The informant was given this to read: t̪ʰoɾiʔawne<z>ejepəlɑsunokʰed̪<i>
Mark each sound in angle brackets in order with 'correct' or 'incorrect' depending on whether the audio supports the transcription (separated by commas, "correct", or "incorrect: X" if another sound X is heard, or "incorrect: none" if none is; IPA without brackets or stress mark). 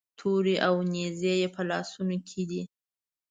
correct, correct